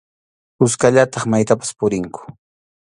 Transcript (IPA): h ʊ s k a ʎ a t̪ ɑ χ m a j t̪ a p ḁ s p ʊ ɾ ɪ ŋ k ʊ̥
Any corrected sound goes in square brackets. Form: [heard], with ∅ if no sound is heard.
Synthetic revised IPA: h ʊ s k a ʎ a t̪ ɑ χ m a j t̪ a p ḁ s p ʊ ɾ ɪ ŋ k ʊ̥

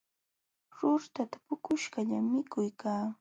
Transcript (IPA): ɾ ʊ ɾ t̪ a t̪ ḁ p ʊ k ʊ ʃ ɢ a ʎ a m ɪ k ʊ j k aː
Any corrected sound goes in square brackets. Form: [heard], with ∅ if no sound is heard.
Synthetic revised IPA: ɾ ʊ ɾ t̪ a t̪ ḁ p ʊ k ʊ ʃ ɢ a ʎ a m ɪ k ʊ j k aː

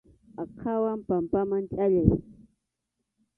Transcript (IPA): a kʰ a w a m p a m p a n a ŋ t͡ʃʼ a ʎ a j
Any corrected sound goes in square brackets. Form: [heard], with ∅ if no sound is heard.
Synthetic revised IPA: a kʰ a w a m p a m p a [m] a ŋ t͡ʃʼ a ʎ a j

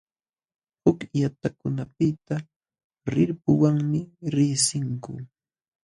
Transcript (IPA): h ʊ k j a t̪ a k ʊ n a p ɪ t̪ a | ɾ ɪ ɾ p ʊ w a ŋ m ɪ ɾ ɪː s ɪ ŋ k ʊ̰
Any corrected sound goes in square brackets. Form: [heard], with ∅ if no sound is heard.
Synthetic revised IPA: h ʊ k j a t̪ a k ʊ n a p ɪ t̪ a | ɾ ɪ ɾ p ʊ w a ŋ m ɪ ɾ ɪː s ɪ ŋ k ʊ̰

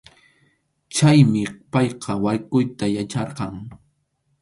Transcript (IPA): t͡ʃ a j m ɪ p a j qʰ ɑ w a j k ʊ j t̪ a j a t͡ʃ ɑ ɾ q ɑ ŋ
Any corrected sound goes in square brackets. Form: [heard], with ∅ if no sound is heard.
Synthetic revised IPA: t͡ʃ a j m ɪ p [ɑ] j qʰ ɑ w a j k ʊ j t̪ a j a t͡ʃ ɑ ɾ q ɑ ŋ

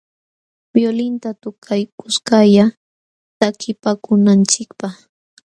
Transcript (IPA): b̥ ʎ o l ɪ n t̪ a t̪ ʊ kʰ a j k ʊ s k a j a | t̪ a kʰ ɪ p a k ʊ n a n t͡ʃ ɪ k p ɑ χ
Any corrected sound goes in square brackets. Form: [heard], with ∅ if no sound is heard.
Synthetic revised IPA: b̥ [j] o l ɪ n t̪ a t̪ ʊ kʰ a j k ʊ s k a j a | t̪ a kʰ ɪ p a k ʊ n a n t͡ʃ ɪ k p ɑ χ

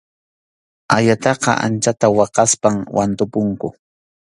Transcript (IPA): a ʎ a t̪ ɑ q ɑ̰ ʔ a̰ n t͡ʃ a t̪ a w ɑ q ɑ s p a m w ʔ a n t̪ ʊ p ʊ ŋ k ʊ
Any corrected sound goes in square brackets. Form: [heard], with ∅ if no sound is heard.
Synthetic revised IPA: a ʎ a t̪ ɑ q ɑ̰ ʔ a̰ n t͡ʃ a t̪ a w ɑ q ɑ s p a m w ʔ a n t̪ ʊ p ʊ ŋ k ʊ

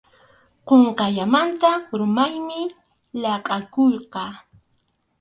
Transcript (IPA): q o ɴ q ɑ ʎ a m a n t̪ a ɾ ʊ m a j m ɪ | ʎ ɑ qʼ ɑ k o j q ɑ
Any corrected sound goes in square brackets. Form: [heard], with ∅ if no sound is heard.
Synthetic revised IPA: q o ɴ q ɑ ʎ a m a n t̪ a ɾ ʊ m a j m ɪ | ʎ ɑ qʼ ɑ k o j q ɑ

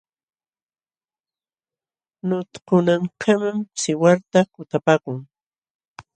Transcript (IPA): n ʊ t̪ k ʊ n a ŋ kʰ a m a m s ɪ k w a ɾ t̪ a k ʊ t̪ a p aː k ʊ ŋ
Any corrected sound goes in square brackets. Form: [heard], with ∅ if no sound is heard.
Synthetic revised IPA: n ʊ t̪ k ʊ n a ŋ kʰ a m a m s ɪ [∅] w a ɾ t̪ a k ʊ t̪ a p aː k ʊ ŋ

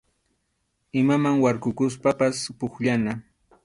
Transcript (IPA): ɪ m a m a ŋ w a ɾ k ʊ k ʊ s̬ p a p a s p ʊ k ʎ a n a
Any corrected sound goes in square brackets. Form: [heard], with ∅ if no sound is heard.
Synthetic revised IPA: ɪ m a m a ŋ w a ɾ k ʊ k ʊ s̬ p a p a s p ʊ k ʎ a n a

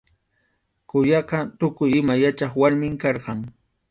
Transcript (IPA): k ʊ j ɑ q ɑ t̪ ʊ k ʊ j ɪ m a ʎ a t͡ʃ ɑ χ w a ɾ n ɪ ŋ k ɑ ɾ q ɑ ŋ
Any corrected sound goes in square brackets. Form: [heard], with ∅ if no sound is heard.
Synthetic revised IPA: k ʊ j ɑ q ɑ t̪ ʊ k ʊ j ɪ m a [j] a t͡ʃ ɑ χ w a ɾ [m] ɪ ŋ k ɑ ɾ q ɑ ŋ

